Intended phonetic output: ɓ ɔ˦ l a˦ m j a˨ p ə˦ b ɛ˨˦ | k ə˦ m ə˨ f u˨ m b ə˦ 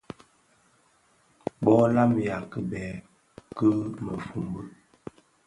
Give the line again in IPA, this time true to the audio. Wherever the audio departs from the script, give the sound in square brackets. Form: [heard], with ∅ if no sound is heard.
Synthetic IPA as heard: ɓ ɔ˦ l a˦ m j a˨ [k] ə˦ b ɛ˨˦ | k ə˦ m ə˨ f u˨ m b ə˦